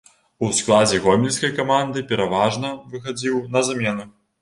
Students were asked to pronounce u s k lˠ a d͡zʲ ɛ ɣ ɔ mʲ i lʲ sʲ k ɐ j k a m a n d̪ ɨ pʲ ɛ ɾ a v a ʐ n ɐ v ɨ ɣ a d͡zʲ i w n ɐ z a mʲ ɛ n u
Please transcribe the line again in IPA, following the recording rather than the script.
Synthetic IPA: u s k lˠ a d͡zʲ ɛ ɣ ɔ mʲ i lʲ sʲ k ɐ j k a m a n d̪ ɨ pʲ ɛ ɾ a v a ʐ n ɐ v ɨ x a d͡zʲ i w n ɐ z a mʲ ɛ n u

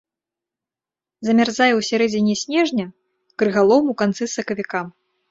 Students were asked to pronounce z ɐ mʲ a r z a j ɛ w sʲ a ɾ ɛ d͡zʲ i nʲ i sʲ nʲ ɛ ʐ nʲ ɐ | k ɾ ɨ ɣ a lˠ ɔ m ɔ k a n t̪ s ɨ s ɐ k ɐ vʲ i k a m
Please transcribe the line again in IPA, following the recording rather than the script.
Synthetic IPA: z ɐ mʲ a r z a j ɛ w sʲ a ɾ ɛ d͡zʲ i nʲ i sʲ nʲ ɛ ʐ nʲ ɐ | k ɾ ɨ ɣ a lˠ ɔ m u k a n t̪ s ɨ s ɐ k ɐ vʲ i k a m

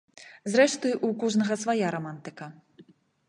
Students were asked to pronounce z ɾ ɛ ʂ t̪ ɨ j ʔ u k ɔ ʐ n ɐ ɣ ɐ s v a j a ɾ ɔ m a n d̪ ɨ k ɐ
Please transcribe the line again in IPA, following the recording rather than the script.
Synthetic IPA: z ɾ ɛ ʂ t̪ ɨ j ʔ u k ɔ ʐ n ɐ ɣ ɐ s v a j a ɾ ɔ m a n t̪ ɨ k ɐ

